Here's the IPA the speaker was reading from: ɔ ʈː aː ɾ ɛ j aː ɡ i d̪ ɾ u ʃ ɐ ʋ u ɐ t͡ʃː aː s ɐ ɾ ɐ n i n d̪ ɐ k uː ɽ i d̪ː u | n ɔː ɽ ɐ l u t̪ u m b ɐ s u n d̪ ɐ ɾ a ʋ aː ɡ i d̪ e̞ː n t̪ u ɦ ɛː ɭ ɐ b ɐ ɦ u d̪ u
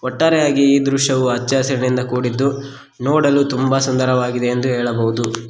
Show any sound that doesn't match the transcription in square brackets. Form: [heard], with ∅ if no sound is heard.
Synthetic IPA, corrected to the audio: ɔ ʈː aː ɾ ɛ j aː ɡ [iː] d̪ ɾ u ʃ ɐ ʋ u ɐ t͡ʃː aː s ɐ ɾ ɐ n i n d̪ ɐ k uː ɽ i d̪ː u | n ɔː ɽ ɐ l u t̪ u m b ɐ s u n d̪ ɐ ɾ [ɐ] ʋ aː ɡ i d̪ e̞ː n [d̪] u ɦ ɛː ɭ ɐ b ɐ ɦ u d̪ u